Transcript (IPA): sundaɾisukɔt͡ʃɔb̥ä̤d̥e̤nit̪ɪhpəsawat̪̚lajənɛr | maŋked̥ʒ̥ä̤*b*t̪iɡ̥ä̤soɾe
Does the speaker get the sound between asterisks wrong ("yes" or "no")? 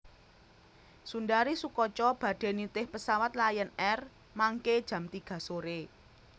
yes